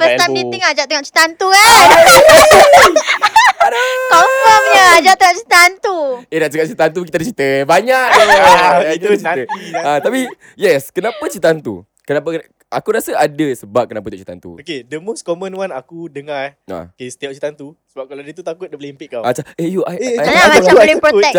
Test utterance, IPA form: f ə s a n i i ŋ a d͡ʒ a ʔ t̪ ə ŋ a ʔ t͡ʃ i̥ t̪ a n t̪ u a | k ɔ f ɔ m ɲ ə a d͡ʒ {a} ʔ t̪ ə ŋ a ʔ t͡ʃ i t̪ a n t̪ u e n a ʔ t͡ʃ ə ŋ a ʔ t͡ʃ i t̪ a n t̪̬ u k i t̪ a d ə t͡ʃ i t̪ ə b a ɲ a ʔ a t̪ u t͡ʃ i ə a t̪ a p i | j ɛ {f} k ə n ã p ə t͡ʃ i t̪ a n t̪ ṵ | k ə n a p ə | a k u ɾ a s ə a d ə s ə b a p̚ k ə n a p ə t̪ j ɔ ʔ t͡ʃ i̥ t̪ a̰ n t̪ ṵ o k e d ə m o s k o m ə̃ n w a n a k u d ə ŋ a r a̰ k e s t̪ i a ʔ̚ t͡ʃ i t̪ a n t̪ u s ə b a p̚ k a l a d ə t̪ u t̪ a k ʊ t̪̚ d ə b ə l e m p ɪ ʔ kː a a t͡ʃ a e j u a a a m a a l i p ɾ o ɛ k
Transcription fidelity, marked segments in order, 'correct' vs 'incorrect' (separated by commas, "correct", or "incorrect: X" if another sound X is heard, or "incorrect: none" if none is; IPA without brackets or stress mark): correct, incorrect: s